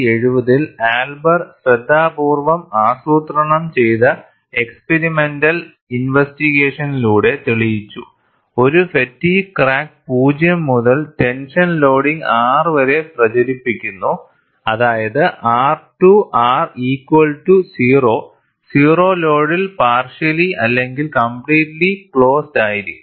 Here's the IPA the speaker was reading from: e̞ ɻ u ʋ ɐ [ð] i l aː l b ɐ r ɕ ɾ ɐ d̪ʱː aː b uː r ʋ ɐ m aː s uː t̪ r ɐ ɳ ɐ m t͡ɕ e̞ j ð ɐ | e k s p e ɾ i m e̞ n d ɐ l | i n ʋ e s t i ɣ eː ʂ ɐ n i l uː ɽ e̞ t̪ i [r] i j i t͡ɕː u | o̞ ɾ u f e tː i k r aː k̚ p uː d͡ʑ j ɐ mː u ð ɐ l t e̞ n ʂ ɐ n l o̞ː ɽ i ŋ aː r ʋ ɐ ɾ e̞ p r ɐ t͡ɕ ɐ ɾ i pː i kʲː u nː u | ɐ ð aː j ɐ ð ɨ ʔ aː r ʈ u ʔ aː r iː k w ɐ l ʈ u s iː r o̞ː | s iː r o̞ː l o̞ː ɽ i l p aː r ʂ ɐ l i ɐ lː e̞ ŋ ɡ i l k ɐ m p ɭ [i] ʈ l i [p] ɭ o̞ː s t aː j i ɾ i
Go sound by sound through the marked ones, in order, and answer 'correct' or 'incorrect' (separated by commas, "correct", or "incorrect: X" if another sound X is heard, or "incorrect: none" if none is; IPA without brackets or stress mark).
correct, incorrect: ɭ, incorrect: iː, incorrect: k